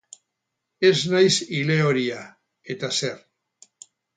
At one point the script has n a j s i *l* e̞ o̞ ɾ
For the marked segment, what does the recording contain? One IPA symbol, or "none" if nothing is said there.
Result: l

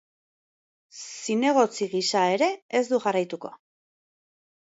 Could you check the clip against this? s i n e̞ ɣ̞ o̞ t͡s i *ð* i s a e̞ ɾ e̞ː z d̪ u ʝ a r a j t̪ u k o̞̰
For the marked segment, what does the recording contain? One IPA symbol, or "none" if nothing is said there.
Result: ɣ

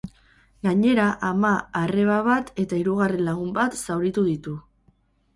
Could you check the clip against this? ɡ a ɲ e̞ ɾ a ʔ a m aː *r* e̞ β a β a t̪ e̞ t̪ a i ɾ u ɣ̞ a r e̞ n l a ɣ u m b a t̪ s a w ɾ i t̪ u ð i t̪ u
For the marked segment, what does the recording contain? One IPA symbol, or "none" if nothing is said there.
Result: r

